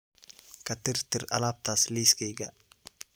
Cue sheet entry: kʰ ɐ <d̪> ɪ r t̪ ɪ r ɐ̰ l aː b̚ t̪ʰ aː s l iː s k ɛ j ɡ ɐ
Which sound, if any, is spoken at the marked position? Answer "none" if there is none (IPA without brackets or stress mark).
t̪